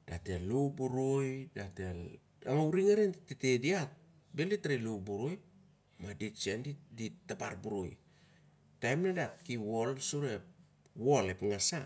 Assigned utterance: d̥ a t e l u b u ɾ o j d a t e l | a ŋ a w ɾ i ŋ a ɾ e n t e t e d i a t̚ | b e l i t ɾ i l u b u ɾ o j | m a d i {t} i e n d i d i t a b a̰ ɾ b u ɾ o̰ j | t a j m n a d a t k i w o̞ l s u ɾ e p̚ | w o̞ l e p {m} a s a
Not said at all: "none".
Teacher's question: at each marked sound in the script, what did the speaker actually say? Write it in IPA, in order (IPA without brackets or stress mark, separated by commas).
t͡ʃ, ŋ